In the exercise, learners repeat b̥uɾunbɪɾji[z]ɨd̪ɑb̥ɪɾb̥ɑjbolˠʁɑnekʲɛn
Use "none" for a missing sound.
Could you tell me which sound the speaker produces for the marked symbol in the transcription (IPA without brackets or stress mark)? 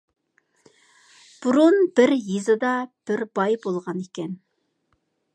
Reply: z